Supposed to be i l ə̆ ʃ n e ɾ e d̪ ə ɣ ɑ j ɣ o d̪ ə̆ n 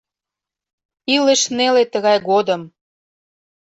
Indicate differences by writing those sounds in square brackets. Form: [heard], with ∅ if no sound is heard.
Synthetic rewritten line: i l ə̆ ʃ n e [l] e [t̪] ə ɣ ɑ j ɣ o d̪ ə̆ [m]